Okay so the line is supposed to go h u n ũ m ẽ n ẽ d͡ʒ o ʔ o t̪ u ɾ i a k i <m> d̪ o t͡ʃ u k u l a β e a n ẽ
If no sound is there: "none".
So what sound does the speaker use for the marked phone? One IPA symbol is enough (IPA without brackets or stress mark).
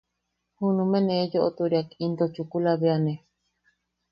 n